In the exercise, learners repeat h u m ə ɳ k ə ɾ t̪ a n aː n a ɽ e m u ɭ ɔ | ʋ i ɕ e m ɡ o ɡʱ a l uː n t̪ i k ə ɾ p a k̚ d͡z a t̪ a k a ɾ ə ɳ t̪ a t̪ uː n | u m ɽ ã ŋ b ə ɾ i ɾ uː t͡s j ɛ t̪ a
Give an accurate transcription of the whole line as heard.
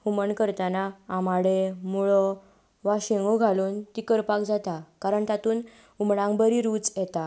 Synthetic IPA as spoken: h u m ə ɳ k ə ɾ t̪ a n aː m a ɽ e m u ɭ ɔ | ʋ a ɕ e ŋ ɡ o ɡʱ a l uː n t̪ i k ə ɾ p a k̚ d͡z a t̪ a k a ɾ ə ɳ t̪ a t̪ uː n | u m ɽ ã ŋ b ə ɾ i ɾ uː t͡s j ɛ t̪ a